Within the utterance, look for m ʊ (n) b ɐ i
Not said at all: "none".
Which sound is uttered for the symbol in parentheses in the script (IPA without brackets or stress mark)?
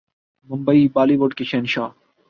m